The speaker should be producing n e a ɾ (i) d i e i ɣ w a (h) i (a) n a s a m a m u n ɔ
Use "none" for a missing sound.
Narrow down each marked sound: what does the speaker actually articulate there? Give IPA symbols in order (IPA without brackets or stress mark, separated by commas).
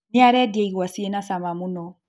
ɛ, s, e